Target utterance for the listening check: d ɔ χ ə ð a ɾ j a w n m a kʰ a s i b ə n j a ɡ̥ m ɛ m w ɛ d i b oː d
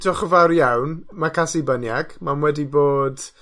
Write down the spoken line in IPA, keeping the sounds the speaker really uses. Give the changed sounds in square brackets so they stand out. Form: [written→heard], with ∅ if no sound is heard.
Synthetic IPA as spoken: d ɔ χ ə [ð→v] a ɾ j a w n m a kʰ a s i b ə n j a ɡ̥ m [ɛ→a] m w ɛ d i b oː d